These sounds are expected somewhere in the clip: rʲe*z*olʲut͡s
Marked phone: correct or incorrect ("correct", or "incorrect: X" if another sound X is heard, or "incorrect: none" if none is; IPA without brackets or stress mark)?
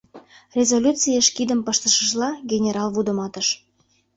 correct